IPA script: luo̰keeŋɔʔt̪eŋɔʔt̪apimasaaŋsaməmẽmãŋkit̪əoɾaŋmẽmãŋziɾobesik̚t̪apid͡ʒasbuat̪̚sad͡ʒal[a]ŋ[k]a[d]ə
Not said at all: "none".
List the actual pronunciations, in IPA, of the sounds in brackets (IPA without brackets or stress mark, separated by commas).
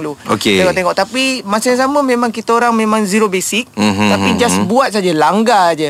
a, ɡ, d͡ʒ